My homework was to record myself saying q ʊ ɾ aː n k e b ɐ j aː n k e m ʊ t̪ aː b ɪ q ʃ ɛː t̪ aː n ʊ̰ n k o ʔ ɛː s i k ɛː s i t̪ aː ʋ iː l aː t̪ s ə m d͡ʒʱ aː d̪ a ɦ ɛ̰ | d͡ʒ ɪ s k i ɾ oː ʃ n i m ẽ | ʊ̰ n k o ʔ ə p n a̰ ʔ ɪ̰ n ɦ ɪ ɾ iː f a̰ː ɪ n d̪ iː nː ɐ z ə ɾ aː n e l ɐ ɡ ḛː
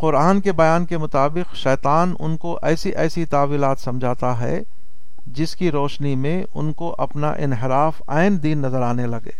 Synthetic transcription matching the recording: q ʊ ɾ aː n k e b ɐ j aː n k e m ʊ t̪ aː b ɪ q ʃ ɛː t̪ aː n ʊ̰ n k o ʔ ɛː s i ʔ ɛː s i t̪ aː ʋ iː l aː t̪ s ɐ m d͡ʒʱ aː t̪ a ɦ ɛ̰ | d͡ʒ ɪ s k i ɾ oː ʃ n i m ẽ | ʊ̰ n k o ʔ ɐ p n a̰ ʔ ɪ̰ n ɦ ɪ ɾ aː f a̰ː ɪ n d̪ iː nː ɐ z ə ɾ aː n e l ɐ ɡ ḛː